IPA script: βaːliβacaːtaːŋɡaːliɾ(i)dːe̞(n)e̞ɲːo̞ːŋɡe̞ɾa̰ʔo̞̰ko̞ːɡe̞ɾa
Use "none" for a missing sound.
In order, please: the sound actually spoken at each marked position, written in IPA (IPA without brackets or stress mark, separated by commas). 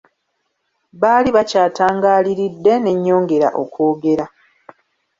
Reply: i, n